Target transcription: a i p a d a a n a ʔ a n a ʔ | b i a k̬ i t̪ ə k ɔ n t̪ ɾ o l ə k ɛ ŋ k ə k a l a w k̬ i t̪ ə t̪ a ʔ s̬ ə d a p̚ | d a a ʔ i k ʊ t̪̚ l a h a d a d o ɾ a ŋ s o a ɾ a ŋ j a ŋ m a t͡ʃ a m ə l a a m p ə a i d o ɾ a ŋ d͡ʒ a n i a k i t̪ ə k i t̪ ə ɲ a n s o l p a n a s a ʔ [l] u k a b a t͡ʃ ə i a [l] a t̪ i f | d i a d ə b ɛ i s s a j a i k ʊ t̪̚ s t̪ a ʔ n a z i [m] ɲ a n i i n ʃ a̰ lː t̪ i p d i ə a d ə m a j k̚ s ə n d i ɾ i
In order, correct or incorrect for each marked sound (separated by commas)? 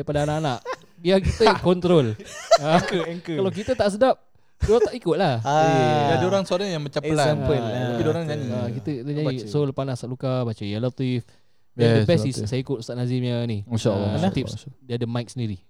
correct, correct, correct